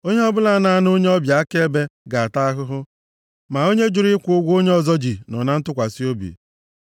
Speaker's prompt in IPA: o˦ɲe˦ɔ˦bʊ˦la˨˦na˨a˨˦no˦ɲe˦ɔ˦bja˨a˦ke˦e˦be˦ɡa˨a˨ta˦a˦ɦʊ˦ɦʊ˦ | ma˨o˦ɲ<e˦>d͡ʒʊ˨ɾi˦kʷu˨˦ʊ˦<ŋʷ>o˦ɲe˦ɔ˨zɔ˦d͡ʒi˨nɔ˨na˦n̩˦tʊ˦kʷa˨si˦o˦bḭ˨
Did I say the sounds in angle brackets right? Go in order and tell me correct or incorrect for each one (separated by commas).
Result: correct, incorrect